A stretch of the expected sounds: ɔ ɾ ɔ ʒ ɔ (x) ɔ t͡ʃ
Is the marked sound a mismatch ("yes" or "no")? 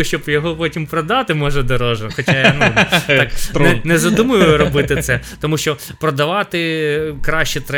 no